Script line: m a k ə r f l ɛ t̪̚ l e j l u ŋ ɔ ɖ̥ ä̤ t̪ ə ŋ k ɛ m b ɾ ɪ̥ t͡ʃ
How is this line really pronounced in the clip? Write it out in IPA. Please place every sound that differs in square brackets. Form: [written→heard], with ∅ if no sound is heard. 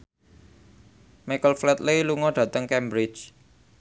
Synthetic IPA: m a k ə [r→l] f l ɛ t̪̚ l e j l u ŋ ɔ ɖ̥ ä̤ t̪ ə ŋ k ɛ m b ɾ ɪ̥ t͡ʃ